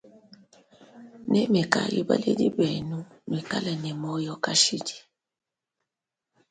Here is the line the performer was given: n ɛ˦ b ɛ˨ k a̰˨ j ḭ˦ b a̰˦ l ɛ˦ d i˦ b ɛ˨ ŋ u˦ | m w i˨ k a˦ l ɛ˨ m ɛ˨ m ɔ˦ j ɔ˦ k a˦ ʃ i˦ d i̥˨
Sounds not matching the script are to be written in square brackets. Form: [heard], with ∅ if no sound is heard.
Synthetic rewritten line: n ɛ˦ [m] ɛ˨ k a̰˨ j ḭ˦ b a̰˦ l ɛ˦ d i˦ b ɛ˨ [n] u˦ | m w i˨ k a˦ l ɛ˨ [n] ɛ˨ m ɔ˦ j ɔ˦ k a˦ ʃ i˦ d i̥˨

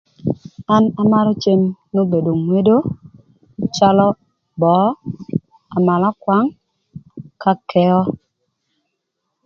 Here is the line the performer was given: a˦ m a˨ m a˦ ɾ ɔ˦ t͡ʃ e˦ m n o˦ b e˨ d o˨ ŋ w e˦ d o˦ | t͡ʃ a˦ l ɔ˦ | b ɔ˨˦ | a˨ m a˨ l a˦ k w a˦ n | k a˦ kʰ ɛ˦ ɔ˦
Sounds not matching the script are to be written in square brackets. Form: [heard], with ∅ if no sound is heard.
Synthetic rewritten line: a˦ [n] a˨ m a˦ ɾ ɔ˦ t͡ʃ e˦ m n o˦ b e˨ d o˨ ŋ w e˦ d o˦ | t͡ʃ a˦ l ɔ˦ | b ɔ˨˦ | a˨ m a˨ l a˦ k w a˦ [ŋ] | k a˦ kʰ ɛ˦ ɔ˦

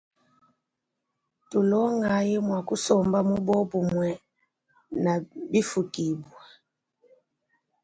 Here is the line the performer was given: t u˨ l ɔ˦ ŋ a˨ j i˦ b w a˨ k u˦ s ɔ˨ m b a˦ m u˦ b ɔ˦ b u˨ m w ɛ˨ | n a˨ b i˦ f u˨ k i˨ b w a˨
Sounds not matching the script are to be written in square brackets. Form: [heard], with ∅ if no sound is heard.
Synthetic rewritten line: t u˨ l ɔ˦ ŋ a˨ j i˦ [m] w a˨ k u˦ s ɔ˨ m b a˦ m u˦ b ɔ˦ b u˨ m w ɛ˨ | n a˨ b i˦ f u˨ k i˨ b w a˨

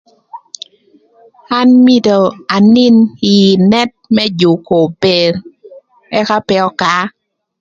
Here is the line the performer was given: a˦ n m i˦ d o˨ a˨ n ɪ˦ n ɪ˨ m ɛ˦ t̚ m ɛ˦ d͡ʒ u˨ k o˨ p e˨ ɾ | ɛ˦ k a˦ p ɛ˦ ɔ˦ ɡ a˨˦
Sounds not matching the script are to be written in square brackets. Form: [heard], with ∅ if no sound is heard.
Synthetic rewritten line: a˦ n m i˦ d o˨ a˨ n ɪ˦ n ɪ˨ [n] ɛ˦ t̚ m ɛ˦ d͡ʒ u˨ k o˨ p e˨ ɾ | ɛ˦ k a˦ p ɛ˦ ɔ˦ [k] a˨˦

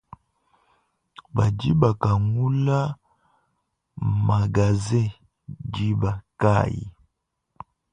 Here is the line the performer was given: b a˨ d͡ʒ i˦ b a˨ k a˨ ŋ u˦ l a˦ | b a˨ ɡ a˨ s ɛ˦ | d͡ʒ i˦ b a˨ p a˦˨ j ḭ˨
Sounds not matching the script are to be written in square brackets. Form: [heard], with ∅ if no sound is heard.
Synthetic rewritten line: b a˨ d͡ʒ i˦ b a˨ k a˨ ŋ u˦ l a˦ | [m] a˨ ɡ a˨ [z] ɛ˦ | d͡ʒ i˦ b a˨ [k] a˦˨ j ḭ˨

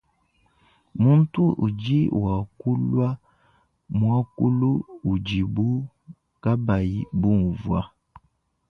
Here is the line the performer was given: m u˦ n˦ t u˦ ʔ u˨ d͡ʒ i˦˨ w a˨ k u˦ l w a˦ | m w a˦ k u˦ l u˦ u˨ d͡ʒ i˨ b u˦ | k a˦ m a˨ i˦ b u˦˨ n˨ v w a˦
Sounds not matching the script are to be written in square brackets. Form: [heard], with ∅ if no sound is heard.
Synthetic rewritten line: m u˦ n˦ t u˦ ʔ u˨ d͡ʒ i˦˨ w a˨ k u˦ l w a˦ | m w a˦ k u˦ l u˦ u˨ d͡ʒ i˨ b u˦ | k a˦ [b] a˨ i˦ b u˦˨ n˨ v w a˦

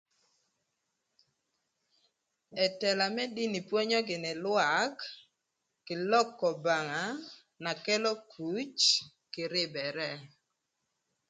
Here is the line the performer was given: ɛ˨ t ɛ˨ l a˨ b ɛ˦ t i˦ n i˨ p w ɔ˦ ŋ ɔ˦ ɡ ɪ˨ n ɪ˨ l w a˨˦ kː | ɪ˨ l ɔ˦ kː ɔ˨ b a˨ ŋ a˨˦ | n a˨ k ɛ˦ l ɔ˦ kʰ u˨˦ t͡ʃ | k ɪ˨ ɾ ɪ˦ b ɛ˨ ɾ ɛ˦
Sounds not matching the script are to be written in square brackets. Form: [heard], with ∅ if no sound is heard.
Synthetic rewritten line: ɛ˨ t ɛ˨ l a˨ [m] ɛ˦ [d] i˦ n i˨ p w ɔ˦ [ɲ] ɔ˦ ɡ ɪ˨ n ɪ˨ l w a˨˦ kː | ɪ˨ l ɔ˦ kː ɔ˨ b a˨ ŋ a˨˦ | n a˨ k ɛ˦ l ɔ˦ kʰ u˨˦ t͡ʃ | k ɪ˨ ɾ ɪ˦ b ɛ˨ ɾ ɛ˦

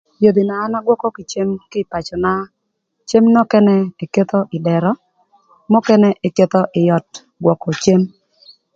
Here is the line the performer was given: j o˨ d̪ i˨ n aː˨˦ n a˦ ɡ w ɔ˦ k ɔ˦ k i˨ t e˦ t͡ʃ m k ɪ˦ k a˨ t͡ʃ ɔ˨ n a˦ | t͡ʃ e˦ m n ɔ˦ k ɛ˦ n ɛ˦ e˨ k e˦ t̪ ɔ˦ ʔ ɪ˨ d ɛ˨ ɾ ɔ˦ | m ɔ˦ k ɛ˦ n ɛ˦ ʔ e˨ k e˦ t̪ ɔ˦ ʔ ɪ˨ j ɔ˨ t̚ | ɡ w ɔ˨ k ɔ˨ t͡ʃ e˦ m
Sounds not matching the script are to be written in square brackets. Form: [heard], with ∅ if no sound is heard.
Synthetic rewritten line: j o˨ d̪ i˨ n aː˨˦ n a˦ ɡ w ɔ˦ k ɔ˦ k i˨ [t͡ʃ] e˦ [∅] m k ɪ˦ [p] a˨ t͡ʃ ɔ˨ n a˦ | t͡ʃ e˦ m n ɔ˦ k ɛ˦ n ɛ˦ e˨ k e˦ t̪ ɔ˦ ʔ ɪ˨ d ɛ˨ ɾ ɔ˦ | m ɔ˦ k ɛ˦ n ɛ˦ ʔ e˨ k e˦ t̪ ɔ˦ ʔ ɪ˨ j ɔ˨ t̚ | ɡ w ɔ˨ k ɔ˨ t͡ʃ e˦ m

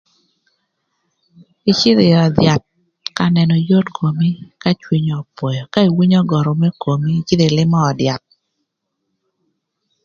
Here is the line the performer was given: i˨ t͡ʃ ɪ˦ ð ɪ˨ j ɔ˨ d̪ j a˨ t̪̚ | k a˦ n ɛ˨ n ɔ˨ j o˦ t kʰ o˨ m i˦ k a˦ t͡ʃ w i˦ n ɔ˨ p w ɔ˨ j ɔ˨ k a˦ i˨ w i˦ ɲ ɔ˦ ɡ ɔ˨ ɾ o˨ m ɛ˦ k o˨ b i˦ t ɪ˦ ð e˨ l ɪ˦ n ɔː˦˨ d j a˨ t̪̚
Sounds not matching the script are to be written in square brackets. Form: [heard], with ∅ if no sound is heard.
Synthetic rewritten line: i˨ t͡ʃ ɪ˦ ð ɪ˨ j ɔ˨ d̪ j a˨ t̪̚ | k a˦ n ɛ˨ n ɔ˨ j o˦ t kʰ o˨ m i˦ k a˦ t͡ʃ w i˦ [ɲ] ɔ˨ p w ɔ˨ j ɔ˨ k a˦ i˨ w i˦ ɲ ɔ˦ ɡ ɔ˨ ɾ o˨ m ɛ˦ k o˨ [m] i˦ [t͡ʃ] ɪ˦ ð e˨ l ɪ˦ [m] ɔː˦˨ d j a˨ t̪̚

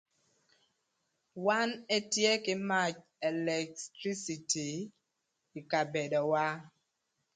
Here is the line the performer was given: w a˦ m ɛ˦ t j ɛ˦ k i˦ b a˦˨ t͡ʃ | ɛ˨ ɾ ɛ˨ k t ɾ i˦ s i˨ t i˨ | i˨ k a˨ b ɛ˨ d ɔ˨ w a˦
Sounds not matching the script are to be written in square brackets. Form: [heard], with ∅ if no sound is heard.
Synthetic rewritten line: w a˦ [n] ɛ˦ t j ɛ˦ k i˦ [m] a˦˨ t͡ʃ | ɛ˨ [l] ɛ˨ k t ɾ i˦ s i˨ t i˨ | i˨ k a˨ b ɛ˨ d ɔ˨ w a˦

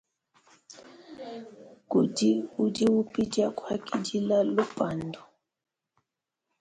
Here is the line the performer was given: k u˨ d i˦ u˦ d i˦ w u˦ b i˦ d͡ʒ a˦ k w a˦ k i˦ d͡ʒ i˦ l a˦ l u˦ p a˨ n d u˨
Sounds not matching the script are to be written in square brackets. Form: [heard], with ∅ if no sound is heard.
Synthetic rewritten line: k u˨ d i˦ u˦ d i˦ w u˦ [p] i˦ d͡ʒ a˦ k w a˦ k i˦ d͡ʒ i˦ l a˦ l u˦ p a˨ n d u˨

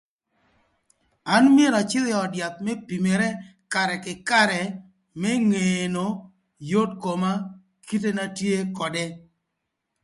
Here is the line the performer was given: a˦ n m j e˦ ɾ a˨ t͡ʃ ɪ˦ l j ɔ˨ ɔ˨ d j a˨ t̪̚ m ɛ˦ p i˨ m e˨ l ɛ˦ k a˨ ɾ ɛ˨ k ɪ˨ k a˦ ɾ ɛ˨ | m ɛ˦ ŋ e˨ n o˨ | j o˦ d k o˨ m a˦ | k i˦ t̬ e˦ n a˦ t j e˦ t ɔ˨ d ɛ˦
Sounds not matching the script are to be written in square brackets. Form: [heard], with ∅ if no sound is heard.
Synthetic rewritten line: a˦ n m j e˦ ɾ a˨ t͡ʃ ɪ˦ l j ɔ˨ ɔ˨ d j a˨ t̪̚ m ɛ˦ p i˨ m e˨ [ɾ] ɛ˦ k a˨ ɾ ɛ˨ k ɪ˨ k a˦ ɾ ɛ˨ | m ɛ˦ ŋ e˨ n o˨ | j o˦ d k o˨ m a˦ | k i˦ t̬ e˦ n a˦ t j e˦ [k] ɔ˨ d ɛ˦

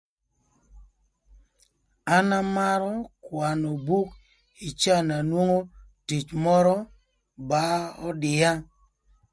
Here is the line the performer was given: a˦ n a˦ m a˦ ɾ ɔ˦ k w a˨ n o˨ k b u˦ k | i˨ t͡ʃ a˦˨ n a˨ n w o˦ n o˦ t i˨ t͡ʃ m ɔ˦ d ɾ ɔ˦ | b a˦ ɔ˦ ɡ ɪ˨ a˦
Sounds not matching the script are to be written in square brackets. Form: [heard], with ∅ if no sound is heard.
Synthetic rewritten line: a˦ n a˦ m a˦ ɾ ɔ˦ k w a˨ n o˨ [∅] b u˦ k | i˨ t͡ʃ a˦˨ n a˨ n w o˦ [ŋ] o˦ t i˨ t͡ʃ m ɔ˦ [∅] ɾ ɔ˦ | b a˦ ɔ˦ [d] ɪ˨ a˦

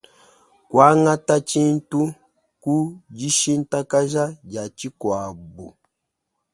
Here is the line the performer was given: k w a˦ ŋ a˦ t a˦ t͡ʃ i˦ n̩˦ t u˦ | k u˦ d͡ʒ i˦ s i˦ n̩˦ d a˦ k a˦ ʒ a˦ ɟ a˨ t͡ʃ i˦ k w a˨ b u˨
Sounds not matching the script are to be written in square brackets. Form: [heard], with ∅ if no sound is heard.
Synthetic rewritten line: k w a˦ ŋ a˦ t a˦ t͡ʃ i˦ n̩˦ t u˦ | k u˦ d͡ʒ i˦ [ʃ] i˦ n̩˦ [t] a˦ k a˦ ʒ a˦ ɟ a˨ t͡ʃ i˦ k w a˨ b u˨

